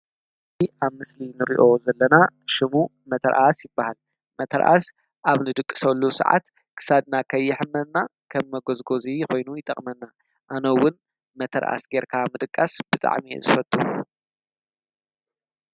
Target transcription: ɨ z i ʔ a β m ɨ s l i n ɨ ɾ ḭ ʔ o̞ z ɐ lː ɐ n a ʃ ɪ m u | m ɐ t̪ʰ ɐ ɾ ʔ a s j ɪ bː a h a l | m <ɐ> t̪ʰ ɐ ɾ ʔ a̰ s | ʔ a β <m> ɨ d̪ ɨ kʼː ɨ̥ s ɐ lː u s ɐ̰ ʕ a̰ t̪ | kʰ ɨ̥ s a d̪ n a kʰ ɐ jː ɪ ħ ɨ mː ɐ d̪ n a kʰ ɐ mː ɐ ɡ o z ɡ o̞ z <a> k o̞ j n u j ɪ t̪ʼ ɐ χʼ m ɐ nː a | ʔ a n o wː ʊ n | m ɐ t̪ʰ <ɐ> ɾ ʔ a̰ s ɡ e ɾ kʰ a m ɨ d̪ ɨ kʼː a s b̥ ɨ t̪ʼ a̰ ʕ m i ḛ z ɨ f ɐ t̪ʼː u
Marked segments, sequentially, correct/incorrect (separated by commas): correct, incorrect, incorrect, correct